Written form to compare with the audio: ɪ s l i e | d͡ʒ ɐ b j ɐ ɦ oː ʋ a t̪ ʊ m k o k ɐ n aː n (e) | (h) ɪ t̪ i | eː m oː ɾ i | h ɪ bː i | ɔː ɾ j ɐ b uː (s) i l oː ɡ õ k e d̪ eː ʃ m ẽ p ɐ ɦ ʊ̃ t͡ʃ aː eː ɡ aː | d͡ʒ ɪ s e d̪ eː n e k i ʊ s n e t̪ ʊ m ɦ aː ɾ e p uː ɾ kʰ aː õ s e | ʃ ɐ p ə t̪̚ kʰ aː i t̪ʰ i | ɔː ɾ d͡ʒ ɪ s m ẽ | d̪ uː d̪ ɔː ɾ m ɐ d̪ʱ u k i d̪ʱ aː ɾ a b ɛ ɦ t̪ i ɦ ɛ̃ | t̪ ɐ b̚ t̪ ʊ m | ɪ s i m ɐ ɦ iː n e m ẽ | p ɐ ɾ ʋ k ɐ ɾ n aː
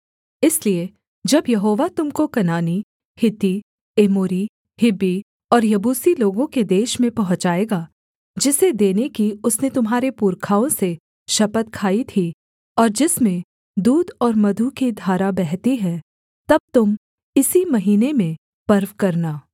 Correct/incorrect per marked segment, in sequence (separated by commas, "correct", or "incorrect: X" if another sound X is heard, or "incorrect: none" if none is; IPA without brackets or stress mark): incorrect: i, correct, correct